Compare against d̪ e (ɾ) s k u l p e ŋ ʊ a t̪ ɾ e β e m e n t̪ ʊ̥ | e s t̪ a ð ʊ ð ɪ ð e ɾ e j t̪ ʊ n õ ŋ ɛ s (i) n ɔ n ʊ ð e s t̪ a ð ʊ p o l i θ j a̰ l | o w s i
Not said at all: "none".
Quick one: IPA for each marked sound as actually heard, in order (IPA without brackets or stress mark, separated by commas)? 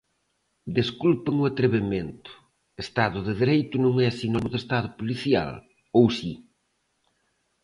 none, i